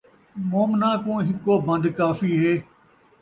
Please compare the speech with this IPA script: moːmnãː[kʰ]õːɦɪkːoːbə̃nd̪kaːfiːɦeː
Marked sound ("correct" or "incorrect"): incorrect